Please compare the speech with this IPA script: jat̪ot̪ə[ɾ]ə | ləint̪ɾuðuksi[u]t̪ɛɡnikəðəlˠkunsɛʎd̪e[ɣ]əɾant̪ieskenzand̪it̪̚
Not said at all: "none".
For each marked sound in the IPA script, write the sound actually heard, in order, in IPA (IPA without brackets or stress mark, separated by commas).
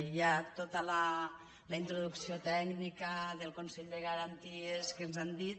l, o, ɣ